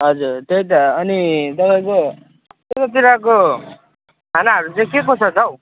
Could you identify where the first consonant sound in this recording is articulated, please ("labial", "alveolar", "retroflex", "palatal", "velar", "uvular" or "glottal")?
glottal